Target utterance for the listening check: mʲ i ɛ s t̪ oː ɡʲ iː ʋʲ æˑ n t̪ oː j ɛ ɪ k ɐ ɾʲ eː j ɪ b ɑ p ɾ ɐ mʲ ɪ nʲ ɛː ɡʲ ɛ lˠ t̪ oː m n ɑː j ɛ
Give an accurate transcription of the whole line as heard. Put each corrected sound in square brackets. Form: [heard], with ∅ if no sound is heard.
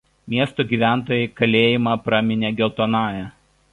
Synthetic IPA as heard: mʲ i ɛ s t̪ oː ɡʲ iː ʋʲ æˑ n t̪ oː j ɛ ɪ k ɐ [lʲ] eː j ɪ [m] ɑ p ɾ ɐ mʲ ɪ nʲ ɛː ɡʲ ɛ lˠ t̪ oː [∅] n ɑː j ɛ